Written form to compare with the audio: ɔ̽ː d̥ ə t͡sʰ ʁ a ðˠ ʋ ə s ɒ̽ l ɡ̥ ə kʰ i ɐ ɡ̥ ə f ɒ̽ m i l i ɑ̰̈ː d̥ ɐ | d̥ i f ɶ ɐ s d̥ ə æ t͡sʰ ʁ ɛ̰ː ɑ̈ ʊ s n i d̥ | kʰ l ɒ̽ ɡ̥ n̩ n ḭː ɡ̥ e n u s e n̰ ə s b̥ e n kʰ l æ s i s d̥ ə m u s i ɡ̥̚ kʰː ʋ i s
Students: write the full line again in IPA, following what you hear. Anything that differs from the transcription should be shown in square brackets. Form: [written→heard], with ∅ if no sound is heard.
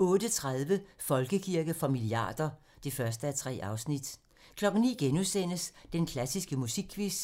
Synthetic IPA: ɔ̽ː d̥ ə t͡sʰ ʁ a ðˠ ʋ ə [s→f] ɒ̽ l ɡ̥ ə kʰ i ɐ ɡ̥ ə f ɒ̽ m i l i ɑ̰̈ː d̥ ɐ | d̥ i f ɶ ɐ s d̥ ə æ t͡sʰ ʁ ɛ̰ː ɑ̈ ʊ s n i d̥ | kʰ l ɒ̽ ɡ̥ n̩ n ḭː ɡ̥ e n u s e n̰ ə s [b̥→d̥] e n kʰ l æ s i s [d̥→ɡ̥] ə m u s i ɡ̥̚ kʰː ʋ i s

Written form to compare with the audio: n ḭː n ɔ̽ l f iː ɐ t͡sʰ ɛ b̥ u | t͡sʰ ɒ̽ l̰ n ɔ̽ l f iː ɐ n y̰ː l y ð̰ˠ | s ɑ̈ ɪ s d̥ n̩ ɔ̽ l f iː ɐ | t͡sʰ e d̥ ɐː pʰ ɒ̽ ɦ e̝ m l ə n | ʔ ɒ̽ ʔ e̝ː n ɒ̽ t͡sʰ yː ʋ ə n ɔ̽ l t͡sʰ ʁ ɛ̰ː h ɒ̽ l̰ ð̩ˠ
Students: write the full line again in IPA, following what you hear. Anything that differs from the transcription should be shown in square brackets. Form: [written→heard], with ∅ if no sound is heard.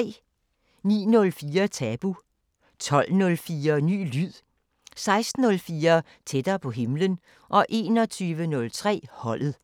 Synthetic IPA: n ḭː n ɔ̽ l f iː ɐ t͡sʰ ɛ b̥ u | t͡sʰ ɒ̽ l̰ n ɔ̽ l f iː ɐ n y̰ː l y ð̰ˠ | s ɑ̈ ɪ s d̥ n̩ ɔ̽ l f iː ɐ | t͡sʰ e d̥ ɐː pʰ ɒ̽ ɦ e̝ m l ə n | ʔ ɒ̽ ʔ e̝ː n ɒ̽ t͡sʰ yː ʋ ə n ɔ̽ l t͡sʰ ʁ ɛ̰ː h ɒ̽ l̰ ð̩ˠ

